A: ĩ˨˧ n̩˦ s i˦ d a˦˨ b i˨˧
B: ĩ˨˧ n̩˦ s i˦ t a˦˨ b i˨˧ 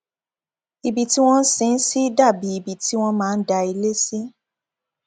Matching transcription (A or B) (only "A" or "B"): A